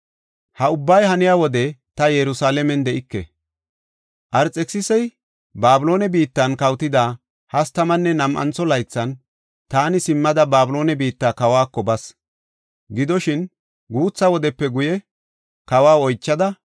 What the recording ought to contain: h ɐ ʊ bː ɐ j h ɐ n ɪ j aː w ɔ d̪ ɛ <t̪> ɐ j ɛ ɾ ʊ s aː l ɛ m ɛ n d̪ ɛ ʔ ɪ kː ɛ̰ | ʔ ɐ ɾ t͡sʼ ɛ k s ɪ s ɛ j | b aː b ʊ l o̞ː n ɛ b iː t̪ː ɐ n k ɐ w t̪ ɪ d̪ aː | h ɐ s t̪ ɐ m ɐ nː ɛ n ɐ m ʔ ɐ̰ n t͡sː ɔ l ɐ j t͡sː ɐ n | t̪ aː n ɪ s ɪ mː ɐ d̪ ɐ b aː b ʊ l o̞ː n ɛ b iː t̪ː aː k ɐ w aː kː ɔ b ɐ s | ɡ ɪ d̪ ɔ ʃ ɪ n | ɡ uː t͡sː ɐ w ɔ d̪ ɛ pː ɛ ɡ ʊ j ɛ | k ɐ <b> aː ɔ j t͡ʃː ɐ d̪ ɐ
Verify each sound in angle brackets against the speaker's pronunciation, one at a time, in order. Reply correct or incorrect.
correct, incorrect: w

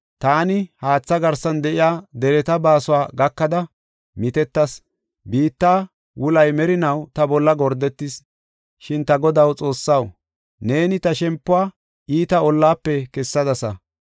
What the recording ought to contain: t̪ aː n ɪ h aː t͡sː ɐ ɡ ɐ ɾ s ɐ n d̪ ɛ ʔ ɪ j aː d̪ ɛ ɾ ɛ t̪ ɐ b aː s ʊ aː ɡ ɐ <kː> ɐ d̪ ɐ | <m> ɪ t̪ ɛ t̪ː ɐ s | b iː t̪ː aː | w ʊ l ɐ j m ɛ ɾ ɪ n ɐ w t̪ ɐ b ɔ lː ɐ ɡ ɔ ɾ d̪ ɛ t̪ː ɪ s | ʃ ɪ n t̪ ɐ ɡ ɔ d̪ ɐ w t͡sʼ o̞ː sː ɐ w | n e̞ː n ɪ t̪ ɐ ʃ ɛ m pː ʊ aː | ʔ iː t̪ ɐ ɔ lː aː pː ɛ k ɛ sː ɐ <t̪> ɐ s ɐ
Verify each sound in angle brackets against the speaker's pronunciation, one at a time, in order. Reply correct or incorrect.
correct, correct, incorrect: d̪

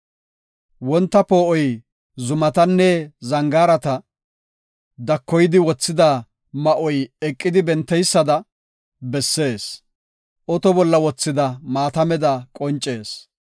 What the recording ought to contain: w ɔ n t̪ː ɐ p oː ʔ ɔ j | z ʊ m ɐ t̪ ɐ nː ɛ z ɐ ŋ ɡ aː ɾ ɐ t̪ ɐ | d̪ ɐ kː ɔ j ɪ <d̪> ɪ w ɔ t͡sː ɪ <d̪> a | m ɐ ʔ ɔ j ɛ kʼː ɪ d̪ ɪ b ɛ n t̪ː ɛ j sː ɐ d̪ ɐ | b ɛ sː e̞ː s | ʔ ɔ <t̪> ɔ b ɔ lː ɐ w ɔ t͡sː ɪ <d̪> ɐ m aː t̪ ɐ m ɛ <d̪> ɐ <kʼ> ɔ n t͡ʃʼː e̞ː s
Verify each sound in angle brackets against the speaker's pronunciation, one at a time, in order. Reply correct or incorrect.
correct, correct, correct, correct, correct, correct

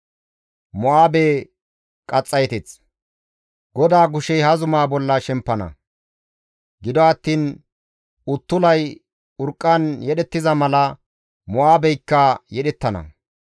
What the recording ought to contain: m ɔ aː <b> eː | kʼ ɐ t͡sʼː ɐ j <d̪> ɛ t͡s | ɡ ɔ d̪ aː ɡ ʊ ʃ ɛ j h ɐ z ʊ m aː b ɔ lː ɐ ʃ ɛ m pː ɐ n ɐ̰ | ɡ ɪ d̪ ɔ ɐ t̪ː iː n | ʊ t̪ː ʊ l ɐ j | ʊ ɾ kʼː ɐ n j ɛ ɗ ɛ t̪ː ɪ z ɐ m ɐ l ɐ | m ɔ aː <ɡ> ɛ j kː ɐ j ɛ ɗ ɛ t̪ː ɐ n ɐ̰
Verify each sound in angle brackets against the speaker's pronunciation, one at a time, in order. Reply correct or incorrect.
correct, incorrect: t̪, incorrect: b

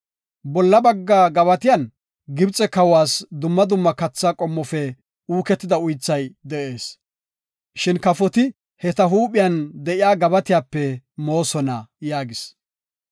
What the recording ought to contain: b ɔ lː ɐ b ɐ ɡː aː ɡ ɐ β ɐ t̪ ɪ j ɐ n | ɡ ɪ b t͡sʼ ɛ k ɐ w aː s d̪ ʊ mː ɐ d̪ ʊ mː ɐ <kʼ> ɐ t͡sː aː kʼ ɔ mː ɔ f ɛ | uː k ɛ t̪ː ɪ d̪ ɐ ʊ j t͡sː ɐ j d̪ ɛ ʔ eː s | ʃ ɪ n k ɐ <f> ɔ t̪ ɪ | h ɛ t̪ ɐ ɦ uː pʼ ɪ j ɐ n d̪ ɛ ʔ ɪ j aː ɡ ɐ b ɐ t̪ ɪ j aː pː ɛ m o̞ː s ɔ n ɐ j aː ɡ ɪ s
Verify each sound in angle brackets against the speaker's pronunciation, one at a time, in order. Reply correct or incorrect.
incorrect: k, correct

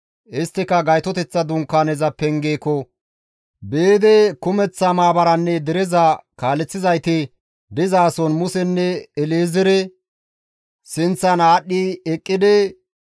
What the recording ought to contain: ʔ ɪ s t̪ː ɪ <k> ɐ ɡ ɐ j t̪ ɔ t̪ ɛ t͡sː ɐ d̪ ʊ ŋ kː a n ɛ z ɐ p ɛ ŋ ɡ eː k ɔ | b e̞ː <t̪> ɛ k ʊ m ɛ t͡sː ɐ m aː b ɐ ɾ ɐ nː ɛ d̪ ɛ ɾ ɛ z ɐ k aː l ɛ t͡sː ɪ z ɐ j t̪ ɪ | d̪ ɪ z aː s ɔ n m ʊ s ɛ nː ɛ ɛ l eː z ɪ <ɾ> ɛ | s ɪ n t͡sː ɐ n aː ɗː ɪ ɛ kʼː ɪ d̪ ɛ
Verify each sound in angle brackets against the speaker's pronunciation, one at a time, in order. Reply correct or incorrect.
correct, incorrect: d̪, correct

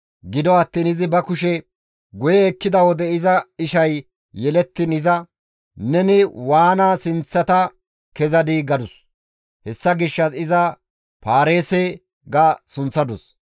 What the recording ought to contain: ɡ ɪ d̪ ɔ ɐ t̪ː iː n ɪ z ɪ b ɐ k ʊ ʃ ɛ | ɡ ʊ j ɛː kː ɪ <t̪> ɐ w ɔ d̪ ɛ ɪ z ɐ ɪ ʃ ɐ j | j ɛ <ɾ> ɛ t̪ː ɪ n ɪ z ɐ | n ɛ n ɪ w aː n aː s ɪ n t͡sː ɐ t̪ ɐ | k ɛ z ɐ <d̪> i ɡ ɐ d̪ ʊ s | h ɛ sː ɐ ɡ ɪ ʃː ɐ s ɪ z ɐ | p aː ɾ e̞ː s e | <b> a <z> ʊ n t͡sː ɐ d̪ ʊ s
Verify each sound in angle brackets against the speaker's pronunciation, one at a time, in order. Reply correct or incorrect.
incorrect: d̪, incorrect: l, correct, incorrect: ɡ, incorrect: s

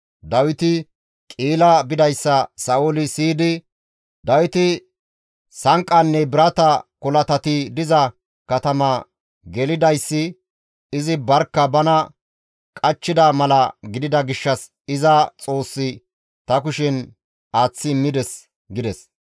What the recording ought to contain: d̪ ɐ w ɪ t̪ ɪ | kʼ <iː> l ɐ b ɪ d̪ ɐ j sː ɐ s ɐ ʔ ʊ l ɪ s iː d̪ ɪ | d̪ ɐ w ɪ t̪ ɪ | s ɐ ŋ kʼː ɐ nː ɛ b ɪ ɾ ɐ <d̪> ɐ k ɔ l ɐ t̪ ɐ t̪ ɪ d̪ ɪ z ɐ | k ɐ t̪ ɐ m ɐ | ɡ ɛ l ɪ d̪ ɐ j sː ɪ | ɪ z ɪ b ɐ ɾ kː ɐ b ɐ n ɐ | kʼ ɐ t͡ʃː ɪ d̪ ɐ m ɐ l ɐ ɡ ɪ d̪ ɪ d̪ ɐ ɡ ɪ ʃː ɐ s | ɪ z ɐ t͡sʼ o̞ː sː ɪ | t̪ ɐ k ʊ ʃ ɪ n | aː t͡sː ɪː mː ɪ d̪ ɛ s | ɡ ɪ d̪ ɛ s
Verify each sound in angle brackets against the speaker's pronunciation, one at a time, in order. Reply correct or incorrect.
correct, incorrect: t̪

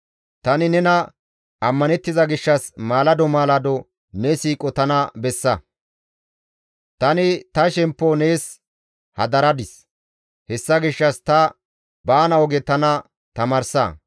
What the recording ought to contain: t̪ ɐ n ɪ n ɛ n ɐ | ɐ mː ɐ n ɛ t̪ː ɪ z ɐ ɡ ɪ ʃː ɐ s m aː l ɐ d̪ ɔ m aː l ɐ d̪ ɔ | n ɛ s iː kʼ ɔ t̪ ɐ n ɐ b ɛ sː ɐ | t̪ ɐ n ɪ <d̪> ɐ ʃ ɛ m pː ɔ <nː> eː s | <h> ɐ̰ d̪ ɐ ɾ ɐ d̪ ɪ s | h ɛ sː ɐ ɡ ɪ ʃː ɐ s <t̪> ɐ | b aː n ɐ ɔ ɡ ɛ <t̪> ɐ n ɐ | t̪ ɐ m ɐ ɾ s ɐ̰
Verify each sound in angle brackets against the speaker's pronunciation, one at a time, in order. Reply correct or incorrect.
incorrect: t̪, incorrect: n, correct, correct, correct

